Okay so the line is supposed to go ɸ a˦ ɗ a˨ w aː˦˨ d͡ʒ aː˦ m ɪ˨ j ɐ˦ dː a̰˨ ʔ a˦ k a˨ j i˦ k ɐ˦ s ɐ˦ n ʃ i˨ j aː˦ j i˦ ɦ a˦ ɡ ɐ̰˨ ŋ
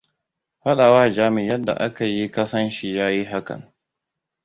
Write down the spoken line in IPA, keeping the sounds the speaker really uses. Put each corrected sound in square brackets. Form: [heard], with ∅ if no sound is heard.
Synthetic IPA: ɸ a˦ ɗ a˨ w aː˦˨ d͡ʒ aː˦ m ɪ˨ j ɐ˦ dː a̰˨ ʔ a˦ k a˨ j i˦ k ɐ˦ s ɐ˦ n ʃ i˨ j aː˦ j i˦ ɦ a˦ [k] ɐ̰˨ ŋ

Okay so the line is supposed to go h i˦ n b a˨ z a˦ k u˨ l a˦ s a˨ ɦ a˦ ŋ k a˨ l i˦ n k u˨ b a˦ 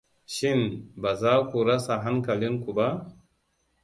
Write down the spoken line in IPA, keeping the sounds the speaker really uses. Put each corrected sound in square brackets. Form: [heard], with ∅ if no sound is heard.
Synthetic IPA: [ʃ] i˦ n b a˨ z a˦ k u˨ [ɾ] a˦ s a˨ ɦ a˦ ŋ k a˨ l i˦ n k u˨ b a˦

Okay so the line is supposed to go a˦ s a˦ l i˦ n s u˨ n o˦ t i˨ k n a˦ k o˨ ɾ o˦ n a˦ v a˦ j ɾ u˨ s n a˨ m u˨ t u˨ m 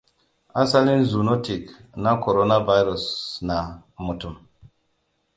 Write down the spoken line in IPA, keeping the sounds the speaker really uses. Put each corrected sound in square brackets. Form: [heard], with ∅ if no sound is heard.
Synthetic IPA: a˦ s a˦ l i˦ n [z] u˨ n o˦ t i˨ k n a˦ k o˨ ɾ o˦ n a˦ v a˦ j ɾ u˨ s n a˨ m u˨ t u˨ m

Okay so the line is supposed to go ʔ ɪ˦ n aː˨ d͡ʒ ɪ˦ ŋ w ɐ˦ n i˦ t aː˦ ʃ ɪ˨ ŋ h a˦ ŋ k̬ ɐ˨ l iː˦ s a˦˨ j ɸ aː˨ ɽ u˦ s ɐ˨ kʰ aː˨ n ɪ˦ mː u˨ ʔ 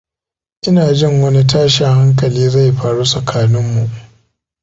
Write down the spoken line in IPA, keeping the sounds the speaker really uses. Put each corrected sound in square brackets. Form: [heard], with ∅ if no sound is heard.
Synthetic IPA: ʔ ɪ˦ n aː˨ d͡ʒ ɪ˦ ŋ w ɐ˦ n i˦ t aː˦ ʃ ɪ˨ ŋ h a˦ ŋ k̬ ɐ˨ l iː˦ [z] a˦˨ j ɸ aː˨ ɽ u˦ s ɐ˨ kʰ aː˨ n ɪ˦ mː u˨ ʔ

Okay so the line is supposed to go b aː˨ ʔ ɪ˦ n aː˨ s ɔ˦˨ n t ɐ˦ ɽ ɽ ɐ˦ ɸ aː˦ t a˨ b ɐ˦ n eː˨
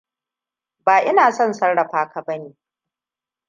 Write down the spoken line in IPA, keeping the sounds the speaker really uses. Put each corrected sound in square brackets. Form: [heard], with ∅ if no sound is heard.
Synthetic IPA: b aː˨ ʔ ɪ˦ n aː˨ s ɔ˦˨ n [s] ɐ˦ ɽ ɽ [ɐ˨] ɸ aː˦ [k] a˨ b ɐ˦ n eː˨

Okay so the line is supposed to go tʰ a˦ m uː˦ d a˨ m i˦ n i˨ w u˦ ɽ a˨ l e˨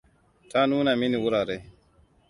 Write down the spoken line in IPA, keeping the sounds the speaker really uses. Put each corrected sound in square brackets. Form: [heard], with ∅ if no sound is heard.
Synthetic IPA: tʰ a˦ [n] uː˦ [n] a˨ m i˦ n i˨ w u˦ [ɾ] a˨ [ɾ] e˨

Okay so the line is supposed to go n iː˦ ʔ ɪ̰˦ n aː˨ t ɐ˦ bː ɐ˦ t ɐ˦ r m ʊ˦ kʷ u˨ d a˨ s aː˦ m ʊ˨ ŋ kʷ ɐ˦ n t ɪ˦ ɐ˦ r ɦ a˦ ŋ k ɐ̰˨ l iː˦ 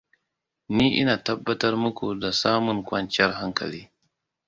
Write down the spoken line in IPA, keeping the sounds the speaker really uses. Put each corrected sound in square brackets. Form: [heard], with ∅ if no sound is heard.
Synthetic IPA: n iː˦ ʔ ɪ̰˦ n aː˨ t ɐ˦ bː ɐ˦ t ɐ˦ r m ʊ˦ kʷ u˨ d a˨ s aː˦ m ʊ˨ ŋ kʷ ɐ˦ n [t͡ʃ] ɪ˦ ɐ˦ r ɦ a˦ ŋ k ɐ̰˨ l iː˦

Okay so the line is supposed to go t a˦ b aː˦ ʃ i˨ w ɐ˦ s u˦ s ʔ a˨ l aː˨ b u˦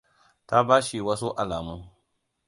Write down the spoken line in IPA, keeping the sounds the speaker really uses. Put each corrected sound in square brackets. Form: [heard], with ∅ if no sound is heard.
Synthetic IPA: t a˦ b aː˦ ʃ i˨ w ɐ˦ s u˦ [∅] ʔ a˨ l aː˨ [m] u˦

